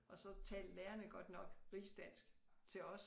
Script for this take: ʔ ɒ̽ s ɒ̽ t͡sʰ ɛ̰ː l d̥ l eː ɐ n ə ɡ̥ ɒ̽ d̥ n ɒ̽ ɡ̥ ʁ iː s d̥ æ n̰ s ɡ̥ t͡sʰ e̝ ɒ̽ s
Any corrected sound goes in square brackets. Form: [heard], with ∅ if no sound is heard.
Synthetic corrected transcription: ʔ ɒ̽ s ɒ̽ t͡sʰ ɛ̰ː l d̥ l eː ɐ n ə ɡ̥ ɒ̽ d̥ n ɒ̽ ɡ̥ ʁ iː s d̥ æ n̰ s ɡ̥ t͡sʰ e̝ ɒ̽ s